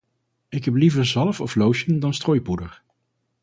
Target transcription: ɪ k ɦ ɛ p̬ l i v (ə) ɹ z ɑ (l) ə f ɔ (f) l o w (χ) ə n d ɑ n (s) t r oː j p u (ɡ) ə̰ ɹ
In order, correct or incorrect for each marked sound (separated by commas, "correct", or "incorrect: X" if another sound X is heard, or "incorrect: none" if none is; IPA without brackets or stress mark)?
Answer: correct, correct, correct, incorrect: ʃ, correct, incorrect: d